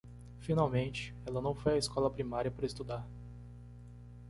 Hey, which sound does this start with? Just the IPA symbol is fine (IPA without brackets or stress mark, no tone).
f